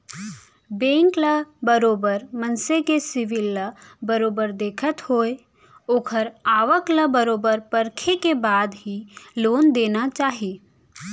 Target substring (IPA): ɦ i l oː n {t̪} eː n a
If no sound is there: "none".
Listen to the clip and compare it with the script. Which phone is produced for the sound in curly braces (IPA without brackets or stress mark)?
d̪